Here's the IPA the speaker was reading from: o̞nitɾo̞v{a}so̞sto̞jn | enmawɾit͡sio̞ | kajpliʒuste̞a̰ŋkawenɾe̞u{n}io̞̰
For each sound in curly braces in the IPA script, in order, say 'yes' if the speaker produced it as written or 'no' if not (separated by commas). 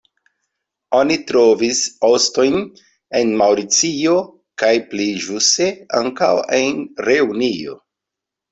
no, yes